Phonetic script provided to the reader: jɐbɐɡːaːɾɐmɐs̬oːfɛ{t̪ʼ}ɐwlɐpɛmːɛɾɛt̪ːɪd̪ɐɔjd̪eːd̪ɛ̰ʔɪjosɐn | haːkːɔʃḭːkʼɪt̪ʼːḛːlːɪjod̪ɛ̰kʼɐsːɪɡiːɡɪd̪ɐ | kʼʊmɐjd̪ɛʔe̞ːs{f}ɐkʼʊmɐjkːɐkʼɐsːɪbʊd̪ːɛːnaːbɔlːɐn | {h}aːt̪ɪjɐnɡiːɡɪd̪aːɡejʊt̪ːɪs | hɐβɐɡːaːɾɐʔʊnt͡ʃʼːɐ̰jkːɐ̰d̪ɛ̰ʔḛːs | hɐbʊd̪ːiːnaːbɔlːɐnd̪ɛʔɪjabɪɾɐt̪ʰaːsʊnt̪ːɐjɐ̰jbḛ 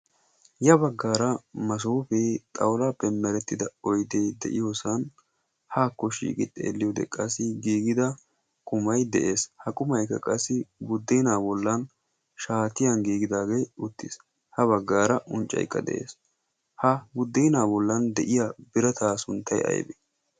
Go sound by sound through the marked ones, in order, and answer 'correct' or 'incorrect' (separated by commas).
correct, incorrect, incorrect